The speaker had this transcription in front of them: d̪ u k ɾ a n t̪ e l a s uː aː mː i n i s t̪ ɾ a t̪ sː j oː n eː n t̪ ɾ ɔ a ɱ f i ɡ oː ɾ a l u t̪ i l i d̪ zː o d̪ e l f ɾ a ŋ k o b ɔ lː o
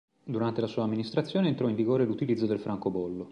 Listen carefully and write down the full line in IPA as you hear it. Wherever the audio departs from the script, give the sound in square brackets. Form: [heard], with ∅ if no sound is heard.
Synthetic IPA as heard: d̪ u [∅] ɾ a n t̪ e l a s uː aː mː i n i s t̪ ɾ a t̪ sː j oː n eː n t̪ ɾ ɔ [i] ɱ [v] i ɡ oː ɾ [e] l u t̪ i l i d̪ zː o d̪ e l f ɾ a ŋ k o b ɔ lː o